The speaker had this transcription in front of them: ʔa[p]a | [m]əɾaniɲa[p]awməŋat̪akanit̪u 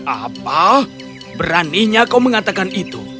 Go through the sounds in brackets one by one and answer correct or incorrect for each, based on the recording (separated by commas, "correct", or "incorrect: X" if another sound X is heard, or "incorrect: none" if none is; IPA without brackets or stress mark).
correct, incorrect: b, incorrect: k